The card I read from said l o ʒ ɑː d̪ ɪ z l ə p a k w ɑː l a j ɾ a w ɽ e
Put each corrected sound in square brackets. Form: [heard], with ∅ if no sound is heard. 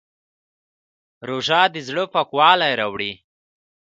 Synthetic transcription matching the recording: [ɾ] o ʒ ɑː d̪ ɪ z [ɽ] ə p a k w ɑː l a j ɾ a w ɽ [i]